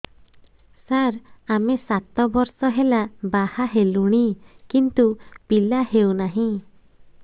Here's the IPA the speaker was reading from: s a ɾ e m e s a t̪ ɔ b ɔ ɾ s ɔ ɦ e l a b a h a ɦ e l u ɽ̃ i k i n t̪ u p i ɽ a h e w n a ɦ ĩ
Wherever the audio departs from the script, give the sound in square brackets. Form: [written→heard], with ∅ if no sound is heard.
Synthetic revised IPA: s a ɾ [e→a] m e s a t̪ ɔ b ɔ ɾ s ɔ ɦ e l a b a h a ɦ e l u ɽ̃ i k i n t̪ u p i [ɽ→l] a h e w n a ɦ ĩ